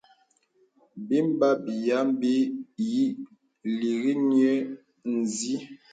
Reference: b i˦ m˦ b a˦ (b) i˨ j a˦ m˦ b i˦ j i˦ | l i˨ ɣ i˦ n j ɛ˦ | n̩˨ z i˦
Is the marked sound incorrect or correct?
correct